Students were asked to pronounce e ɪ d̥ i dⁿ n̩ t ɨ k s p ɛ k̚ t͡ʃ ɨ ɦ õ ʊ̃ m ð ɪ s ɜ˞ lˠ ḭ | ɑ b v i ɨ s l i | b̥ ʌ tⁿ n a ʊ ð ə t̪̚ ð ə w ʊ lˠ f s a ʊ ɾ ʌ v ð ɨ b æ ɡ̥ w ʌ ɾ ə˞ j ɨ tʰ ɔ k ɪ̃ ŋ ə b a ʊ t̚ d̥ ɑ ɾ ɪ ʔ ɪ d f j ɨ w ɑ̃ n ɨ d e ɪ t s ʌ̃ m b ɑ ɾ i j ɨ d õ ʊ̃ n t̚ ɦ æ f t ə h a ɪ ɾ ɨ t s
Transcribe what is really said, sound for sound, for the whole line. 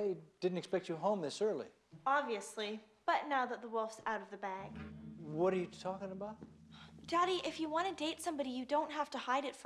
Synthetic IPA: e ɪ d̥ ɪ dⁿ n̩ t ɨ k s p ɛ k̚ t͡ʃ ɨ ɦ õ ʊ̃ m ð ɪ s ɜ˞ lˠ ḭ | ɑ b v i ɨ s l i | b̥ ʌ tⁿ n a ʊ ð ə t̪̚ ð ə w ʊ lˠ f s a ʊ ɾ ʌ v ð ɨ b æ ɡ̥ w ʌ ɾ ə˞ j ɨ tʰ ɔ k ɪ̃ ŋ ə b a ʊ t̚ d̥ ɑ ɾ i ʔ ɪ f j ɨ w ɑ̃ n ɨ d e ɪ t s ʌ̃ m b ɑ ɾ i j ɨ d õ ʊ̃ n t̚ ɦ æ f t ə h a ɪ ɾ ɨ t f